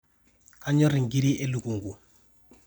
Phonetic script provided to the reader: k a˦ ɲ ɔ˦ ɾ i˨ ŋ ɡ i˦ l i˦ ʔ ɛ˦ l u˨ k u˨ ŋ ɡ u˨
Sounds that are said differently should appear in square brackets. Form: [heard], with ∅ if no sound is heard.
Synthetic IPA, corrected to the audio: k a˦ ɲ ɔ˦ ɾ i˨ ŋ ɡ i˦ [ɾ] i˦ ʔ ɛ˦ l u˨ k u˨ ŋ ɡ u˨